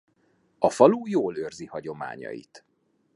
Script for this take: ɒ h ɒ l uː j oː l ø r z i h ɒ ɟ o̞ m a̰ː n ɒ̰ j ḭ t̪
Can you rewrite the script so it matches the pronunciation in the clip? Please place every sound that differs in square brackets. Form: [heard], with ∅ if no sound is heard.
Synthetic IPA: ɒ [f] ɒ l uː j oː l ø r z i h ɒ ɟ o̞ m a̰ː [ɲ] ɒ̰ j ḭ t̪